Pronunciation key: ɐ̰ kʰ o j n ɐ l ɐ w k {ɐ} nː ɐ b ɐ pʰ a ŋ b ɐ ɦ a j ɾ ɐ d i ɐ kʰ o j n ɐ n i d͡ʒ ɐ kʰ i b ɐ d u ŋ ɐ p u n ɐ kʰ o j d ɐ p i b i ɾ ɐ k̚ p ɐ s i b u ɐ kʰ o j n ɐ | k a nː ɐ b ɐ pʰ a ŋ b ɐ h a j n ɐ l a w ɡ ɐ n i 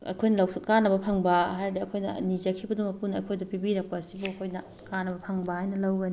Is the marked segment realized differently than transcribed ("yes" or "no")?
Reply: yes